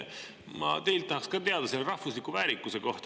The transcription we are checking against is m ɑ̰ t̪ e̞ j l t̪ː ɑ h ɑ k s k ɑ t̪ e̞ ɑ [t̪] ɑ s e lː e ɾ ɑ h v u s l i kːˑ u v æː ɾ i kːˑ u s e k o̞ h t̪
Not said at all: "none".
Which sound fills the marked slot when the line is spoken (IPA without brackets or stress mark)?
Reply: d̪